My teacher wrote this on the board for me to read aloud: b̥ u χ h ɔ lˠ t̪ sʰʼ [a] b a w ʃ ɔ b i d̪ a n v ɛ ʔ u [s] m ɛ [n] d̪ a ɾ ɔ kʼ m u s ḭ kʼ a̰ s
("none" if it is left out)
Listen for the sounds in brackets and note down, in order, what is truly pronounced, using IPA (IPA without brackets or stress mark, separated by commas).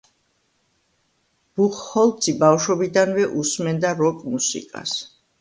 i, s, n